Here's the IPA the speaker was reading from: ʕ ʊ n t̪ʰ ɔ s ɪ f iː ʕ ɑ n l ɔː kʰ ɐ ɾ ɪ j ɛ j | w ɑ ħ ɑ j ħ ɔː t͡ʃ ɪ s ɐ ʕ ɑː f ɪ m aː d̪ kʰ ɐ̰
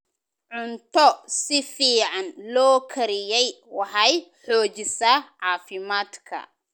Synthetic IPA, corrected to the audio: ʕ ʊ n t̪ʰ ɔ s ɪ f iː ʕ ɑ n l ɔː kʰ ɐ ɾ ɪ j ɛ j | w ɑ ħ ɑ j ħ ɔː t͡ʃ ɪ s ɐ ʕ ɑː f ɪ m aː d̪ kʰ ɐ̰